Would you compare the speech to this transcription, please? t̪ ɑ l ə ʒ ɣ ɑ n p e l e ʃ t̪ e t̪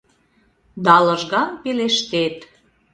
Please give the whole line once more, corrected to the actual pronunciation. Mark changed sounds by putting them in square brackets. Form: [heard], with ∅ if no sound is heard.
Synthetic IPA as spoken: [d̪] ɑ l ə ʒ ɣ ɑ n p e l e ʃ t̪ e t̪